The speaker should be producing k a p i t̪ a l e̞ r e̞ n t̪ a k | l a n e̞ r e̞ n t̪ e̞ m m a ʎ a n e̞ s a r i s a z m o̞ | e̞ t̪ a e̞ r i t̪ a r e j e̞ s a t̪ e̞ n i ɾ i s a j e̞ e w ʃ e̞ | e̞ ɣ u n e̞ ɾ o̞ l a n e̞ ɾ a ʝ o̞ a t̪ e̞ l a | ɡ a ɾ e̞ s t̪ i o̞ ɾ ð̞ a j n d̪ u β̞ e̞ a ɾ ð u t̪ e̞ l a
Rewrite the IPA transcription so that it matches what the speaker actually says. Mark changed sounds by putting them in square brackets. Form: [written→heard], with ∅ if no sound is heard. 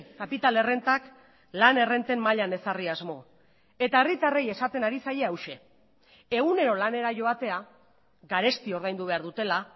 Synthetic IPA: k a p i t̪ a l e̞ r e̞ n t̪ a k | l a n e̞ r e̞ n t̪ e̞ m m a ʎ a n e̞ s a r i [s→∅] a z m o̞ | e̞ t̪ a e̞ r i t̪ a r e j e̞ s a t̪ e̞ n [i→a] ɾ i s a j e̞ [e→a] w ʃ e̞ | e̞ ɣ u n e̞ ɾ o̞ l a n e̞ ɾ a ʝ o̞ a t̪ e̞ [l→∅] a | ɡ a ɾ e̞ s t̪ i o̞ ɾ ð̞ a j n d̪ u β̞ e̞ a ɾ ð u t̪ e̞ l a

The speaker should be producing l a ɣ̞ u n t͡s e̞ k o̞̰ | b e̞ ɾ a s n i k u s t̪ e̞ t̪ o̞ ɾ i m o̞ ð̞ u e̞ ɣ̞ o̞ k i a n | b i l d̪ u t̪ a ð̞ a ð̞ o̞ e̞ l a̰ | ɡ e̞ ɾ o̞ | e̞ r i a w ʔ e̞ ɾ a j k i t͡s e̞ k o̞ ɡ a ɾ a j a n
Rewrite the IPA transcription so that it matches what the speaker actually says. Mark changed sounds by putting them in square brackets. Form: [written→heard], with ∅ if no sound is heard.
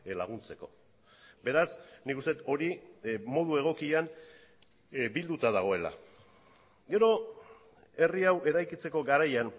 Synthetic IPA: l a ɣ̞ u n t͡s e̞ k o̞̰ | b e̞ ɾ a s n i k u s t̪ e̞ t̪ o̞ ɾ i m o̞ ð̞ u e̞ ɣ̞ o̞ k i a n | b i l d̪ u t̪ a ð̞ a [ð̞→ɣ̞] o̞ e̞ l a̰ | ɡ e̞ ɾ o̞ | e̞ r i a w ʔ e̞ ɾ a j k i t͡s e̞ k o̞ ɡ a ɾ a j a n

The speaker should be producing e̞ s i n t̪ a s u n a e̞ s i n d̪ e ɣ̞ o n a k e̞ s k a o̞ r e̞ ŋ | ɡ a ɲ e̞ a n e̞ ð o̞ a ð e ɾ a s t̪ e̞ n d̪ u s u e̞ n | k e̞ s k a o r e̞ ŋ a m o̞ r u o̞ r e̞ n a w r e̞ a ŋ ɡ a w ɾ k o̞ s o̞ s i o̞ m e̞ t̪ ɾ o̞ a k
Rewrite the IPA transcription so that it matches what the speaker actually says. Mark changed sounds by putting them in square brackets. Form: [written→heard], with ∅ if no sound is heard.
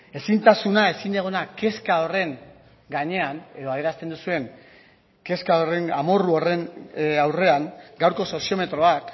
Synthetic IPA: e̞ s i n t̪ a s u n a e̞ s i n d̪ e ɣ̞ o n a k e̞ s k a o̞ r e̞ ŋ | ɡ a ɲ e̞ a n e̞ ð o̞ a ð e ɾ a s t̪ e̞ n d̪ u s u e̞ [n→ŋ] | k e̞ s k a o r e̞ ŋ a m o̞ r u o̞ r e̞ n a w r e̞ a ŋ ɡ a w ɾ k o̞ s o̞ s i o̞ m e̞ t̪ ɾ o̞ a k

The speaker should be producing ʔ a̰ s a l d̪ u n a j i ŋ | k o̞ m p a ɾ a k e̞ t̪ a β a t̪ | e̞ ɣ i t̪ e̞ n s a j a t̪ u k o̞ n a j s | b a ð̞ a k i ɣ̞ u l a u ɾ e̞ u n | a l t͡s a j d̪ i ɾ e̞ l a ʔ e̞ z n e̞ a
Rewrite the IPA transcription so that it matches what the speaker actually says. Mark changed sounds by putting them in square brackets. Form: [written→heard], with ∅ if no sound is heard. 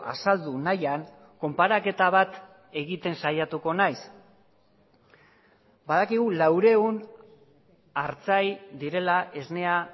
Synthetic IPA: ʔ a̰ s a l d̪ u n a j [i→a] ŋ | k o̞ m p a ɾ a k e̞ t̪ a β a t̪ | e̞ ɣ i t̪ e̞ n s a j a t̪ u k o̞ n a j s | b a ð̞ a k i ɣ̞ u l a [u→w] ɾ e̞ u n | a [l→ɾ] t͡s a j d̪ i ɾ e̞ l a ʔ e̞ z n e̞ a

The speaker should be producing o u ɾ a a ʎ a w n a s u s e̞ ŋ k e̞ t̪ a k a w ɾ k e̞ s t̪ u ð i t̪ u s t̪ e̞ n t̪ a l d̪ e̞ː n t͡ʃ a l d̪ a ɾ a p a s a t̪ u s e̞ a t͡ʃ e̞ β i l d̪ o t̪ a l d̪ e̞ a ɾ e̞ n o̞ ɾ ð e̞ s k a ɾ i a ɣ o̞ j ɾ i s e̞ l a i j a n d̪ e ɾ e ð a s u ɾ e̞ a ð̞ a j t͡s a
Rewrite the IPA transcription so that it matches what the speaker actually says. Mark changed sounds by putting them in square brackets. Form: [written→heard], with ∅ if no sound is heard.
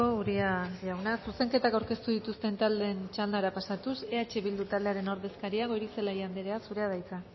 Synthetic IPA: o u ɾ [a→i] a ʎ a w n a s u s e̞ ŋ k e̞ t̪ a k a w ɾ k e̞ s t̪ u ð i t̪ u s t̪ e̞ n t̪ a l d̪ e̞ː n t͡ʃ a l d̪ a ɾ a p a s a t̪ u s e̞ a t͡ʃ e̞ β i l d̪ [o→u] t̪ a l d̪ e̞ a ɾ e̞ n o̞ ɾ ð e̞ s k a ɾ i a ɣ o̞ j ɾ i s e̞ l a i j a n d̪ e ɾ e [ð→∅] a s u ɾ e̞ a ð̞ a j t͡s a

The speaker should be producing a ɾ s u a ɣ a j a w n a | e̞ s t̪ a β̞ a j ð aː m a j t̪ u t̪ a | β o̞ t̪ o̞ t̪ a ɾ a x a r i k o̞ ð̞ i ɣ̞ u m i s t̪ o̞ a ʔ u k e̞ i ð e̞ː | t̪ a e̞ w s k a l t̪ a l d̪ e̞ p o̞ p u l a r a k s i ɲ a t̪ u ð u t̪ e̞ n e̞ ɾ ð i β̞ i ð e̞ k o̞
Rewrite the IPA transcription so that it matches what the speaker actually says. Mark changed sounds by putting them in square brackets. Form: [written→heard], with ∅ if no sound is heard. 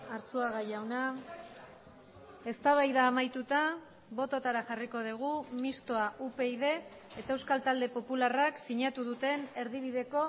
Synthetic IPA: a ɾ s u a ɣ a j a w n a | e̞ s t̪ a β̞ a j ð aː m a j t̪ u t̪ a | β o̞ t̪ o̞ t̪ a ɾ a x a r i k o̞ ð̞ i ɣ̞ u m i s t̪ o̞ a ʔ u [k→p] e̞ i ð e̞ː | t̪ a e̞ w s k a l t̪ a l d̪ e̞ p o̞ p u l a r a k s i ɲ a t̪ u ð u t̪ e̞ n e̞ ɾ ð i β̞ i ð e̞ k o̞

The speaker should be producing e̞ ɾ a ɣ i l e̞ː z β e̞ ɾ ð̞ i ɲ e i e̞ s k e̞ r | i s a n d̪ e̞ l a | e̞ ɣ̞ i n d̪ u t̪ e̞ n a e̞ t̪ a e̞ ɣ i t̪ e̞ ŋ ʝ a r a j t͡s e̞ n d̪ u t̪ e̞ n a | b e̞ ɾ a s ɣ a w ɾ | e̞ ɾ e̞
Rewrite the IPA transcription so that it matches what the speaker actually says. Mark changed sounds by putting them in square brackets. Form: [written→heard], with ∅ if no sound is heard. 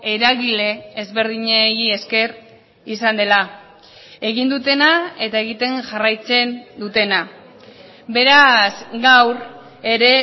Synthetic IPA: e̞ ɾ a ɣ i l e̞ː z β e̞ ɾ ð̞ i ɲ e i e̞ s k e̞ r | i s a n d̪ e̞ l a | e̞ ɣ̞ i n d̪ u t̪ e̞ n a e̞ t̪ a e̞ ɣ i t̪ e̞ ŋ ʝ a r a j t͡s e̞ n d̪ u t̪ e̞ n a | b e̞ ɾ a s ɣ a w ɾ | e̞ ɾ e̞

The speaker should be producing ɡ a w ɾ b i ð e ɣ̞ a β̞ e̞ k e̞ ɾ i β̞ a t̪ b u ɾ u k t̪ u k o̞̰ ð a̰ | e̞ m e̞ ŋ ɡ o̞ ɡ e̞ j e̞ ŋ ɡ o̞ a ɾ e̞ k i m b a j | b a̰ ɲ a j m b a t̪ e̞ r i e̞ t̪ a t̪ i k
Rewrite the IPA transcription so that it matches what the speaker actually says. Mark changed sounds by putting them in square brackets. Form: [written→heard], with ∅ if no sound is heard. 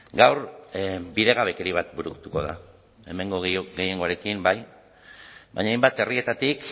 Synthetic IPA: ɡ a w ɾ b i ð e ɣ̞ a β̞ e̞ k e̞ ɾ i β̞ a t̪ b u ɾ u k t̪ u k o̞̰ ð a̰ | e̞ m e̞ ŋ ɡ o̞ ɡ e̞ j e̞ ŋ ɡ o̞ a ɾ e̞ k i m b a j | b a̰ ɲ a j m b a t̪ e̞ r i e̞ t̪ a t̪ i k

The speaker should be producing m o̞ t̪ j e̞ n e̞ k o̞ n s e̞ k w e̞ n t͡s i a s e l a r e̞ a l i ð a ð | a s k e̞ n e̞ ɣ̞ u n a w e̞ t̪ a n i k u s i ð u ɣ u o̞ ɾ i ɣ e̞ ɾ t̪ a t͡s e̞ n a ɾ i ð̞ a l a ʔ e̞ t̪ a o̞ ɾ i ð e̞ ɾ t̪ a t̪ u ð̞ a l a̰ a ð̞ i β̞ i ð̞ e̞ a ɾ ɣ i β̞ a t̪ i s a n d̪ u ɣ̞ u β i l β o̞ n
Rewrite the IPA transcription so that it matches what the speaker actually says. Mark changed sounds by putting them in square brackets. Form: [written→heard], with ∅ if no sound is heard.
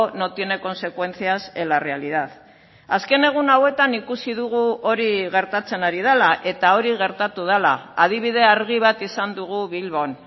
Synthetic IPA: [m→n] o̞ t̪ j e̞ n e̞ k o̞ n s e̞ k w e̞ n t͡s i a s e l a r e̞ a l i ð a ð | a s k e̞ n e̞ ɣ̞ u n a w e̞ t̪ a n i k u s i ð u ɣ u o̞ ɾ i ɣ e̞ ɾ t̪ a t͡s e̞ n a ɾ i ð̞ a l a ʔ e̞ t̪ a o̞ ɾ i [ð→ɣ] e̞ ɾ t̪ a t̪ u ð̞ a l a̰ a ð̞ i β̞ i ð̞ e̞ a ɾ ɣ i β̞ a t̪ i s a n d̪ u ɣ̞ u β i l β o̞ n

